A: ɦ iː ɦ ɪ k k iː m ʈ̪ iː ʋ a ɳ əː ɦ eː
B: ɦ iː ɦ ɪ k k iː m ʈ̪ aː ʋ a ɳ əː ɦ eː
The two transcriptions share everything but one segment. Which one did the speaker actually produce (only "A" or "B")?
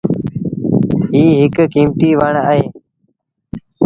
A